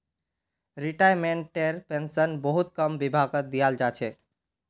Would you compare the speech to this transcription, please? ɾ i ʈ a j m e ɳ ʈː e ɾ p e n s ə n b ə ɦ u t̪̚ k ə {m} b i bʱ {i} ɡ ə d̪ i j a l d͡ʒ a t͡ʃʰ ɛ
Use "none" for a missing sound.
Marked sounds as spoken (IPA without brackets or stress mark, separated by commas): m, a